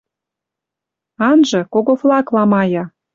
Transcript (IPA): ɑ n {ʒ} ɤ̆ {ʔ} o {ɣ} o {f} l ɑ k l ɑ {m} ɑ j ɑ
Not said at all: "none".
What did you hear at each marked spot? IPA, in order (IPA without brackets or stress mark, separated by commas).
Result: ʒ, k, ɣ, f, m